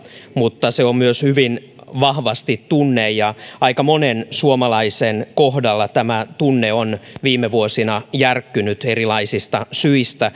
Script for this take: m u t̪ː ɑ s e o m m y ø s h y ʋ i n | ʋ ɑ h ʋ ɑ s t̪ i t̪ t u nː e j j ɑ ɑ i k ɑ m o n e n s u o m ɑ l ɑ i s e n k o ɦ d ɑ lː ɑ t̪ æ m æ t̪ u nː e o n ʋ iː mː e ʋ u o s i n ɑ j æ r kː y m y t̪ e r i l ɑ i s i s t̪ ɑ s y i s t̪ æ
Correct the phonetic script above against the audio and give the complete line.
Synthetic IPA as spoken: m u t̪ː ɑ s e o m m y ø s h y ʋ i n | ʋ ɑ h ʋ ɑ s t̪ i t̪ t u nː e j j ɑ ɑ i k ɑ m o n e n s u o m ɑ l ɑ i s e n k o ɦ d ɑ lː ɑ t̪ æ m æ t̪ u nː e o n ʋ iː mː e ʋ u o s i n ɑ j æ r kː y n y t̪ e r i l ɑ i s i s t̪ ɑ s y i s t̪ æ